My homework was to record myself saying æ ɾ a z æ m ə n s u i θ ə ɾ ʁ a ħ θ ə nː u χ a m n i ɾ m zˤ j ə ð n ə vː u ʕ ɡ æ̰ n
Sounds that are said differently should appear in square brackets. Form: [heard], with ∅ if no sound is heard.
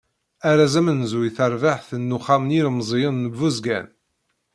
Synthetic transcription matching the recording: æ ɾ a z æ m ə n [z] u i θ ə ɾ [v] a ħ θ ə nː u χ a m n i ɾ m zˤ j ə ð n ə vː u [z] ɡ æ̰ n